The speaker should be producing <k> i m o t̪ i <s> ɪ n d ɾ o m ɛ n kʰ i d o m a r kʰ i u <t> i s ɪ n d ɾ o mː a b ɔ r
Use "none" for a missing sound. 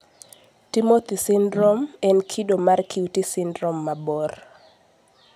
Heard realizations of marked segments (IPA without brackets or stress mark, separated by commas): t, s, t